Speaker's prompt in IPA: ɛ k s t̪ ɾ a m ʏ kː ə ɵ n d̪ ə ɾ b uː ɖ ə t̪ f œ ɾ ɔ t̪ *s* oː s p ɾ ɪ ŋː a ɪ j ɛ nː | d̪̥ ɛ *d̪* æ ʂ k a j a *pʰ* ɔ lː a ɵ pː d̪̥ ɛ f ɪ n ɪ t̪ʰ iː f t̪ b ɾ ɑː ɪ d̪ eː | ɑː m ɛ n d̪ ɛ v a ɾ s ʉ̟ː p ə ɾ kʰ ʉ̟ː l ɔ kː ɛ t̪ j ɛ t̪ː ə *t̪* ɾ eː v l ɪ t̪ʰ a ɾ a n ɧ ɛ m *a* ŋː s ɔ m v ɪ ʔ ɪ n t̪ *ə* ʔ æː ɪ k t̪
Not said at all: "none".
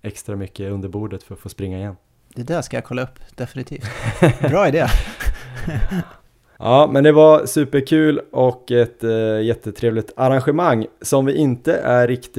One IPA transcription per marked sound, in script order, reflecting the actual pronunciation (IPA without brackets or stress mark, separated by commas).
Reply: f, d̪, kʰ, t̪ʰ, a, ə